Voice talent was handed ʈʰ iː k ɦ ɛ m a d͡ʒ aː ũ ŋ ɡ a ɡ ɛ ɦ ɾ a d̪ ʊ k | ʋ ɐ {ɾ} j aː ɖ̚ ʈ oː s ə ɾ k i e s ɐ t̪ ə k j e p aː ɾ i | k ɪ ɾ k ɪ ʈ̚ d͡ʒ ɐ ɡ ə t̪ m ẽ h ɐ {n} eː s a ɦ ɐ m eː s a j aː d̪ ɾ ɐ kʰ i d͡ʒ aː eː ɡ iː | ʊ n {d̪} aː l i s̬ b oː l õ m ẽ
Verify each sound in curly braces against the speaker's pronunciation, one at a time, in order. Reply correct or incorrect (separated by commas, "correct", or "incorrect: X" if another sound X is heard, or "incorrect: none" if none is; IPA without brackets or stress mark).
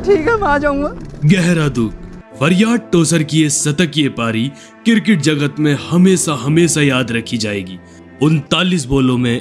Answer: correct, incorrect: m, incorrect: t̪